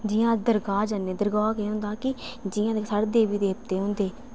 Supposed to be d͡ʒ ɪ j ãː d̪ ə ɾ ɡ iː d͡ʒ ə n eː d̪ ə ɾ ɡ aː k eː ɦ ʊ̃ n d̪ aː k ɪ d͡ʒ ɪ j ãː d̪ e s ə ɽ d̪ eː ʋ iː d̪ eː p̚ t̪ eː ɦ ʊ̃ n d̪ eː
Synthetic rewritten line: d͡ʒ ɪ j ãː d̪ ə ɾ ɡ aː d͡ʒ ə n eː d̪ ə ɾ ɡ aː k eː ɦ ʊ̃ n d̪ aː k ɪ d͡ʒ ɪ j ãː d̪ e s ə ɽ d̪ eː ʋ iː d̪ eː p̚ t̪ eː ɦ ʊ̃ n d̪ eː